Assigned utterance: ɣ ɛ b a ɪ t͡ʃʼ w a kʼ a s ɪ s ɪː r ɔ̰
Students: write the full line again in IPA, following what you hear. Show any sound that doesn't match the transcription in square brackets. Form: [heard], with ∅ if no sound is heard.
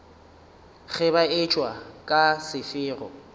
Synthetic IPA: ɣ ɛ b a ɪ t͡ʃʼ w a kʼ a s ɪ [f] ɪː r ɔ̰